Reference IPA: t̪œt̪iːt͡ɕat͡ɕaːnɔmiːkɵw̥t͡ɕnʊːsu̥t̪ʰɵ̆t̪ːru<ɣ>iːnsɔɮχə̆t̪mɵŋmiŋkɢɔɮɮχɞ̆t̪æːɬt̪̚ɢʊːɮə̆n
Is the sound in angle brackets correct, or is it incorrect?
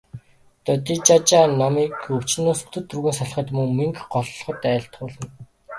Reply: correct